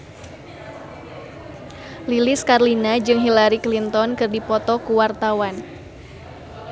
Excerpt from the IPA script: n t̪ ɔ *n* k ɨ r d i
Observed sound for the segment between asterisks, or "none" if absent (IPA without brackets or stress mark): n